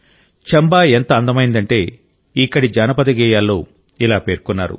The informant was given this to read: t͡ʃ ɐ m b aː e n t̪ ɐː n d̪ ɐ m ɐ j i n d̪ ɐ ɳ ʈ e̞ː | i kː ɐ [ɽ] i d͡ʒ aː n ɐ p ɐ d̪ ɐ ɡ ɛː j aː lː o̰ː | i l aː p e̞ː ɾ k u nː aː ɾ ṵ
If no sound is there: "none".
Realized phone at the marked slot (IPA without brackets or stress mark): ɽ